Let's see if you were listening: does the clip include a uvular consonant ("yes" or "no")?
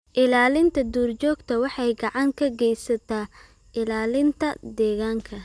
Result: no